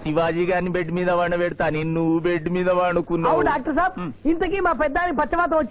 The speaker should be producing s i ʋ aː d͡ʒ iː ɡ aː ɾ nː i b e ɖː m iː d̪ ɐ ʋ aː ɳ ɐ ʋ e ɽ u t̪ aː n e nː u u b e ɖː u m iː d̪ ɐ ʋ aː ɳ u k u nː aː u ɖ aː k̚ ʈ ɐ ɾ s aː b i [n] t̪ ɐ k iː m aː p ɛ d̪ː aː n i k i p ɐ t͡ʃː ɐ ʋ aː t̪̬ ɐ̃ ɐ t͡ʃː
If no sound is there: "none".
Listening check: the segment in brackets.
n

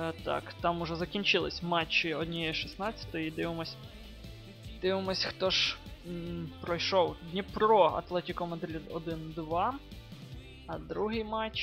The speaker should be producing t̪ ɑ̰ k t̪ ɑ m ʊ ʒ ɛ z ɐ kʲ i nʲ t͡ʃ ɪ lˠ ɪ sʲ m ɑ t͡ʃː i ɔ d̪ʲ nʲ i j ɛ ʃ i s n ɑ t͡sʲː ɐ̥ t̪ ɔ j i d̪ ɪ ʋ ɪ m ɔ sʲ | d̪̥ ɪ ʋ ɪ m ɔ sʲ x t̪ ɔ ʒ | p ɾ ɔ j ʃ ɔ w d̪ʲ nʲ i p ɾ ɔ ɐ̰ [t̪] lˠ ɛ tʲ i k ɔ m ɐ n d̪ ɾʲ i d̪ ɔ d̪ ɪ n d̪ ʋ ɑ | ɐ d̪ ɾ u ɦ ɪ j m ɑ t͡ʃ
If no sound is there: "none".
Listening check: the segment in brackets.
t̪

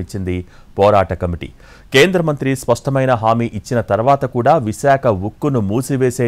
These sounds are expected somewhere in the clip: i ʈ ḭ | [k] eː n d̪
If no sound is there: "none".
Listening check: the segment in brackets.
k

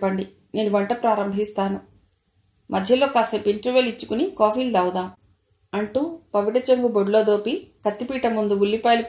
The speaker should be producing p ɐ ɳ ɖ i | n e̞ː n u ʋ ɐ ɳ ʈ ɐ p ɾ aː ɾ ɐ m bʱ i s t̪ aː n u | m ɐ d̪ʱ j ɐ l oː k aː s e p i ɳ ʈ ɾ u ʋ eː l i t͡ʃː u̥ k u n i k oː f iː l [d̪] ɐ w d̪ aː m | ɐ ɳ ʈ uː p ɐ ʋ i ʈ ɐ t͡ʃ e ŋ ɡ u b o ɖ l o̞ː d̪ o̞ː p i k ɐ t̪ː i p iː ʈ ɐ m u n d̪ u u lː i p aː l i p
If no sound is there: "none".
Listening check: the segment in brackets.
d̪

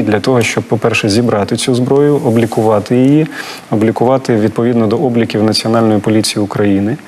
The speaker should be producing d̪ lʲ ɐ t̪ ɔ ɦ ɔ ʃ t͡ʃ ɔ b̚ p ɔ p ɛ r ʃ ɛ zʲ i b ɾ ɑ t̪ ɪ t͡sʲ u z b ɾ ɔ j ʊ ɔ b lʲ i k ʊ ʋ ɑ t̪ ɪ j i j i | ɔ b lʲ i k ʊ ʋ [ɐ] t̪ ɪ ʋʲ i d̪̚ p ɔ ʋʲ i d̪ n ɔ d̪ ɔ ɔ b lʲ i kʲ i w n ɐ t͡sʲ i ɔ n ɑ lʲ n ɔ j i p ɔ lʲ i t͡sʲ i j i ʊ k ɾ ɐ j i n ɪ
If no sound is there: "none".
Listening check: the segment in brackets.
ɑ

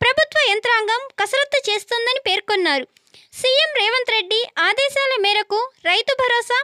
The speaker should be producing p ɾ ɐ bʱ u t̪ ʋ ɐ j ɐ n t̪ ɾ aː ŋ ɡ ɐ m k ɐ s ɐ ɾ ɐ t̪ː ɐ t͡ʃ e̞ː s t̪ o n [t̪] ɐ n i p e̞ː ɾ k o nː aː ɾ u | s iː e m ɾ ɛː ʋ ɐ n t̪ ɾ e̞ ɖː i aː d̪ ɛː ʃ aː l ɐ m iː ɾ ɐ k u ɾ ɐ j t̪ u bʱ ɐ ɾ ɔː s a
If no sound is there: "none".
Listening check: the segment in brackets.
d̪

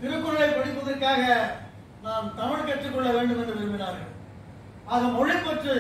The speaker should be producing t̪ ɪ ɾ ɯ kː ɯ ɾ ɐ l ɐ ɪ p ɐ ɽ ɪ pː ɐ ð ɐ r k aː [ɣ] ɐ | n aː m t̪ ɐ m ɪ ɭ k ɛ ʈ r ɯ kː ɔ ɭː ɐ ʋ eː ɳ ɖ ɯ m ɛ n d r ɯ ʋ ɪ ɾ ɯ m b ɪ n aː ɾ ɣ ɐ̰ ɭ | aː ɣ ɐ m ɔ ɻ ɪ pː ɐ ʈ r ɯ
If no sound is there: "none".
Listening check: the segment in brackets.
ɣ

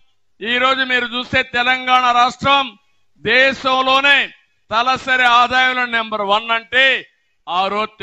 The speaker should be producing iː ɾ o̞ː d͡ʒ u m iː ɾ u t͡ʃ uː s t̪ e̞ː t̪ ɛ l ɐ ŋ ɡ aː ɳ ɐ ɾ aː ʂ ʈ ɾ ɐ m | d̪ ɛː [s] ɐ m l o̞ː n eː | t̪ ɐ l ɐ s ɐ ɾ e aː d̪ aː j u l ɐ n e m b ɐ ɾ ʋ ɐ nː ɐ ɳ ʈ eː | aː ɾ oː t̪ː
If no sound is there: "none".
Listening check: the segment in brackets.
ʃ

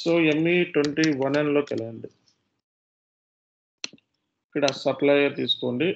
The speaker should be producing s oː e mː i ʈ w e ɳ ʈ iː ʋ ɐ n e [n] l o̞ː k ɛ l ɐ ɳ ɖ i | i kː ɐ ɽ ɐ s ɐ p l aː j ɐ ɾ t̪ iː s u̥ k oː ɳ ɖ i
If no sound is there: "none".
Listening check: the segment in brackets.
n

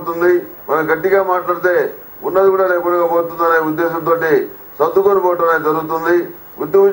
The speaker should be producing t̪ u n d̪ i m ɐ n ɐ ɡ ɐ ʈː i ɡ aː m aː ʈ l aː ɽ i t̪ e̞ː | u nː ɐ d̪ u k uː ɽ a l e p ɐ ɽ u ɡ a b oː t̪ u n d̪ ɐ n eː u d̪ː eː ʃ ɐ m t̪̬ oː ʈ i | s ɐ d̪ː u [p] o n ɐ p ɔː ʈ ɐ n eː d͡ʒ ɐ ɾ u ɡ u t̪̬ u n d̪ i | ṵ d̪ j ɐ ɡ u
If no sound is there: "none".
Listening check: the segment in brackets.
k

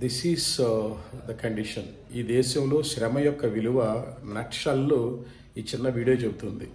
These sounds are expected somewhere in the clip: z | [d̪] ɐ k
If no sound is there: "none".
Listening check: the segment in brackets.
d̪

